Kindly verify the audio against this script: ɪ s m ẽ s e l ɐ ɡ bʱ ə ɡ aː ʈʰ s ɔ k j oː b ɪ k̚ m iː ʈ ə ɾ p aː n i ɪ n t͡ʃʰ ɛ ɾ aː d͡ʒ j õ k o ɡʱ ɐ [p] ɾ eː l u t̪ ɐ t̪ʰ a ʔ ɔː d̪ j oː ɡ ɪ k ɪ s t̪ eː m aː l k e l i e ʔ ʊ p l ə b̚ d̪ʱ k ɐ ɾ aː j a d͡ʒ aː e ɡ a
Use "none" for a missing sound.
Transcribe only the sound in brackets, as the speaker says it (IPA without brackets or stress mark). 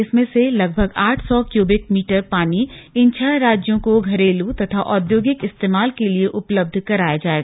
none